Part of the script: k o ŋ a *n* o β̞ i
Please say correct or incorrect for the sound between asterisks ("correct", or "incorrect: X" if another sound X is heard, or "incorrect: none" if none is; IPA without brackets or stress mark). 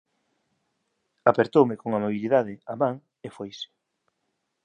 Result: incorrect: m